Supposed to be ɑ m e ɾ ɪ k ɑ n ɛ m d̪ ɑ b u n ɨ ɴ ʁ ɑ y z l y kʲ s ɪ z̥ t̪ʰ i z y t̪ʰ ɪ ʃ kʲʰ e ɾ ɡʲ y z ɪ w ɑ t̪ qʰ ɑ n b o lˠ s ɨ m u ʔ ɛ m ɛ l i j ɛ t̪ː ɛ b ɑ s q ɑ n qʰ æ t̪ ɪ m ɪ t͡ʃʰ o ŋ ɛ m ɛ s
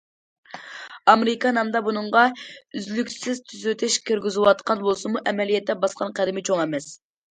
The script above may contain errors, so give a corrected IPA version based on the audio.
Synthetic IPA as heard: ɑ m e ɾ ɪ k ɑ n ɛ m d̪ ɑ b u n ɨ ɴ ʁ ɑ y z l y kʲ s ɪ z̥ t̪ʰ y z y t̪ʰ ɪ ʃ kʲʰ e ɾ ɡʲ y z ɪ w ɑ t̪ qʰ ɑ n b o lˠ s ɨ m u ʔ ɛ m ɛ l i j ɛ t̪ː ɛ b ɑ s q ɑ n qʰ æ d̪ ɪ m ɪ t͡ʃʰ o ŋ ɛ m ɛ s